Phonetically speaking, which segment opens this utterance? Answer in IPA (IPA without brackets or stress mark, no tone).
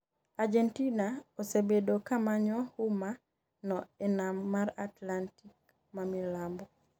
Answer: a